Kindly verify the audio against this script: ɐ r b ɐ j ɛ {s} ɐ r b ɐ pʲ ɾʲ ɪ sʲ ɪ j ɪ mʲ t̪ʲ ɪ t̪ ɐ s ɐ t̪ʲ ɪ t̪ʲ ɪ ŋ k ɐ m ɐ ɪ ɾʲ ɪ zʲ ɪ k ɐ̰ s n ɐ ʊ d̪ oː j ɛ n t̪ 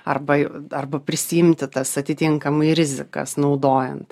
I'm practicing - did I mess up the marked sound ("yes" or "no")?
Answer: yes